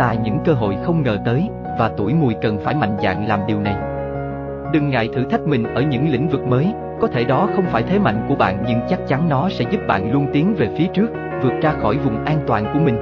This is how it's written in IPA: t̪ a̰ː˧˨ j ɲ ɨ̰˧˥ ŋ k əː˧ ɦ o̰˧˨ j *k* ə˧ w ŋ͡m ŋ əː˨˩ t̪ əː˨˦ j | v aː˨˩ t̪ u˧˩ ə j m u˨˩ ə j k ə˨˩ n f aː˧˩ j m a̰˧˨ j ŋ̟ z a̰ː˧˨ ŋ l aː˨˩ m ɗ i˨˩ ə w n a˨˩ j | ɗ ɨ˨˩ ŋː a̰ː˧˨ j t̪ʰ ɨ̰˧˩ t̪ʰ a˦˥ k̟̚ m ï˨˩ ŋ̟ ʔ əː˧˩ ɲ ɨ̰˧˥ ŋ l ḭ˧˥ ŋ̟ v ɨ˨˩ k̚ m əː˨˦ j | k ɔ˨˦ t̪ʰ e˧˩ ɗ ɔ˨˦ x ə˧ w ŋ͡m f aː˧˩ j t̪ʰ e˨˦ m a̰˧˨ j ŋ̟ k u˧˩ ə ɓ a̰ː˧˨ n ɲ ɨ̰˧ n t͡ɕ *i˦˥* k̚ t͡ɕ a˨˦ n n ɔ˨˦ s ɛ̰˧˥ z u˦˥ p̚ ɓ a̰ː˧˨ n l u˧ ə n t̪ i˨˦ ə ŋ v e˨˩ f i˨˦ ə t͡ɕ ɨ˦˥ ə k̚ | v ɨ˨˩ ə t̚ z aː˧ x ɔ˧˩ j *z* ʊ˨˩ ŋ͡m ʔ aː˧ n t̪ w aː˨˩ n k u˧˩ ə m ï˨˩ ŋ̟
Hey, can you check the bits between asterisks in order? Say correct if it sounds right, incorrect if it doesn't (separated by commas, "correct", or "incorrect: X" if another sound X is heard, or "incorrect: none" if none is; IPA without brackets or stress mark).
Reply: incorrect: x, incorrect: a˦˥, incorrect: v